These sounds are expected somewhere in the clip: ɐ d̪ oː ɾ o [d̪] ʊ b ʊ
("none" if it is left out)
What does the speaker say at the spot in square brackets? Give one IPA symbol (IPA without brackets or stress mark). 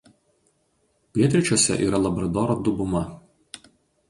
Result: d̪